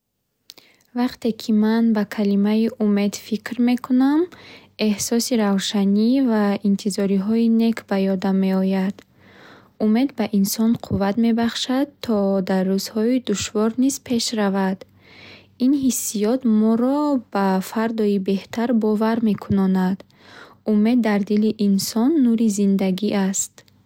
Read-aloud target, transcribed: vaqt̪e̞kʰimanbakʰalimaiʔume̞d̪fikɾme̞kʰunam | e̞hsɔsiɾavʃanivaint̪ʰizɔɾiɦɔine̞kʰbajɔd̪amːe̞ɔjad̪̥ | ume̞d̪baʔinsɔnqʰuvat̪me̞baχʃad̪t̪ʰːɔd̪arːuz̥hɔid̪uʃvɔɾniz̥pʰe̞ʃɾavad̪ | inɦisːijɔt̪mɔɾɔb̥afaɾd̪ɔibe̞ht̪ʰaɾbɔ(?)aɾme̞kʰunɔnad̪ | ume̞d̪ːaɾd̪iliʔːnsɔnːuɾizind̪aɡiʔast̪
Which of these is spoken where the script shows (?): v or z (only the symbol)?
v